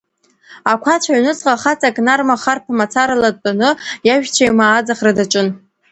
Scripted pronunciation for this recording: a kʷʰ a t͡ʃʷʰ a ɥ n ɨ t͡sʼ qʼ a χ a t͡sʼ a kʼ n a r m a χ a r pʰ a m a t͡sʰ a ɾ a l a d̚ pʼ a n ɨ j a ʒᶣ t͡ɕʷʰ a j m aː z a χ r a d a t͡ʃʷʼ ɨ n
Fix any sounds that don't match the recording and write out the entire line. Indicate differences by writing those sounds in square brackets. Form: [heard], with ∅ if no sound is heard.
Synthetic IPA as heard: a kʷʰ a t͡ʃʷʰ a ɥ n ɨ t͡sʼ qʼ a χ a t͡sʼ a kʼ n a r m a χ a r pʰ a m a t͡sʰ a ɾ a l a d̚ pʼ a n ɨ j a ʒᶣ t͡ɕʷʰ a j m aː [d͡z] a χ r a d a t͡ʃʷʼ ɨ n